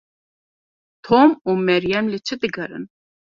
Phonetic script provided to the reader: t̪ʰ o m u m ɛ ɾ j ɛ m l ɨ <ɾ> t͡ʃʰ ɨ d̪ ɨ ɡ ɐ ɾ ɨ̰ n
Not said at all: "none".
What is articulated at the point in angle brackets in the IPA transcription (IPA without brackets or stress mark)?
none